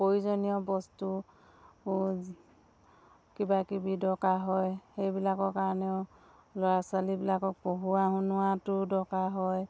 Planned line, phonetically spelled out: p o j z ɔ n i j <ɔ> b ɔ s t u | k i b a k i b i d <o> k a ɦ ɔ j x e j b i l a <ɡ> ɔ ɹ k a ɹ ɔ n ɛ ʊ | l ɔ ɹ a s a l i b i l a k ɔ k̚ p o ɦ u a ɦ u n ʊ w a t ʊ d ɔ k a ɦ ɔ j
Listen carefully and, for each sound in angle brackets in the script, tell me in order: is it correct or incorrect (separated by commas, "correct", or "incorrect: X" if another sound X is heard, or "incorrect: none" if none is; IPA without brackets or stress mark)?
correct, incorrect: ɔ, incorrect: k